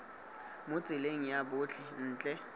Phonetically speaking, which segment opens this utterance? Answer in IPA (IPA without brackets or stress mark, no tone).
m